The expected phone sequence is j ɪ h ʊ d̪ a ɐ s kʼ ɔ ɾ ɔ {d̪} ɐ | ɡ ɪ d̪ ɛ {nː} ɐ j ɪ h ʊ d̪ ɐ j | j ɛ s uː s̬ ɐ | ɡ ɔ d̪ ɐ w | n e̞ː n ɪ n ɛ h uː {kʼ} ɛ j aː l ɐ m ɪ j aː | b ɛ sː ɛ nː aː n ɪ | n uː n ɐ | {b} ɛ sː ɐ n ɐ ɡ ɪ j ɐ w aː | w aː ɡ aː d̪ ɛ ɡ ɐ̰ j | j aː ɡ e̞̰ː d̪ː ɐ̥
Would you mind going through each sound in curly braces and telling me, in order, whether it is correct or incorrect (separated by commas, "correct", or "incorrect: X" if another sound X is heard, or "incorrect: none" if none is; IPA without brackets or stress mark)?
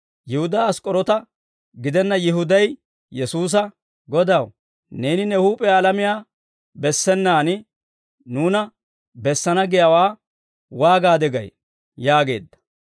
incorrect: t̪, correct, incorrect: pʼ, correct